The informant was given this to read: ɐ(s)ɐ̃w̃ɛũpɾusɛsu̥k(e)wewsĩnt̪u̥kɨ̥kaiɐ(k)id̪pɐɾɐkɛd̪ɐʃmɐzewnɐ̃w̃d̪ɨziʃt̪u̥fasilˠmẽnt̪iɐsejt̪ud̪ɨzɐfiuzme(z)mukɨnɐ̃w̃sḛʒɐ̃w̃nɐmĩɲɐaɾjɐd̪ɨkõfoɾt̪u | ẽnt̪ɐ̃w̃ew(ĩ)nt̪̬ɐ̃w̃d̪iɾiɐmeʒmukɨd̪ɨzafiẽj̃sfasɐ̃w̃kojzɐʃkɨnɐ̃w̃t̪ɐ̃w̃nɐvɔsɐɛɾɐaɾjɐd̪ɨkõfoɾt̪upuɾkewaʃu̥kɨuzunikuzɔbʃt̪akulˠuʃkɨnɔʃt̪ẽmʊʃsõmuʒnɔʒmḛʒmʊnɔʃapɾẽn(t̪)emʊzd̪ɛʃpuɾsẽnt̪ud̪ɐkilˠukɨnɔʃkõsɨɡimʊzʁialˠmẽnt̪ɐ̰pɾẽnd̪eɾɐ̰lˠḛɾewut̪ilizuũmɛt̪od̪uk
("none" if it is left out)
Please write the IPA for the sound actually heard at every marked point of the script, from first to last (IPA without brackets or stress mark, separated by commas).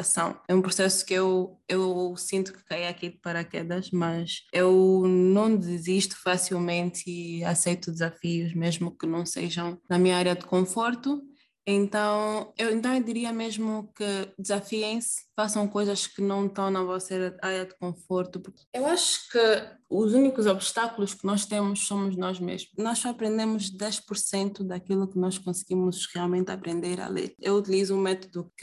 s, e, k, ʒ, ẽ, d̪